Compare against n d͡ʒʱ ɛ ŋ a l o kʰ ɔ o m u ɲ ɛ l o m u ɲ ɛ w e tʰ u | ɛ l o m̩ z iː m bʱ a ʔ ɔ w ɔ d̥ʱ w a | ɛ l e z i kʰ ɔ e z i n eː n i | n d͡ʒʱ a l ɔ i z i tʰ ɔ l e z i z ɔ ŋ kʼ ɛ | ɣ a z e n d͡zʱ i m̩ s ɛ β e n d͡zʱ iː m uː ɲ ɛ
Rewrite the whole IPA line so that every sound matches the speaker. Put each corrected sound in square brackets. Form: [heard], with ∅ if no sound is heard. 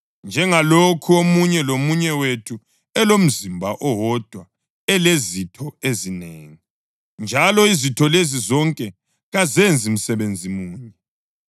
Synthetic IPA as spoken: n d͡ʒʱ ɛ ŋ a l o kʰ [u] o m u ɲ ɛ l o m u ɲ ɛ w e tʰ u | ɛ l o m̩ z [i] m bʱ a ʔ ɔ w ɔ d̥ʱ w a | ɛ l e z i [tʰ] ɔ e z i n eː [ŋ] i | n d͡ʒʱ a l ɔ i z i tʰ ɔ l e z i z ɔ ŋ kʼ ɛ | ɣ a z e n d͡zʱ i m̩ s ɛ β e n d͡zʱ [i] m uː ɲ ɛ